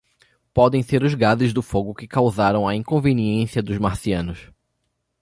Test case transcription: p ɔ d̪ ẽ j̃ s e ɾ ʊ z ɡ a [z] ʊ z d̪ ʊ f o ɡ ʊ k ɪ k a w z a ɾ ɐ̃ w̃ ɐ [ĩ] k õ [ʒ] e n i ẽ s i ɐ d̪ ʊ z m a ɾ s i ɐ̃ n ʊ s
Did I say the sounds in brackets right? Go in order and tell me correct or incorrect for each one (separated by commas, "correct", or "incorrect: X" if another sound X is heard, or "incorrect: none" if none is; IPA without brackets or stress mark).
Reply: correct, correct, incorrect: v